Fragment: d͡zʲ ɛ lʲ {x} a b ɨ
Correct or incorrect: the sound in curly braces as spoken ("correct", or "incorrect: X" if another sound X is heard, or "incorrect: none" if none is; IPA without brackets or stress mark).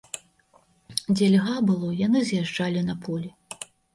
incorrect: ɣ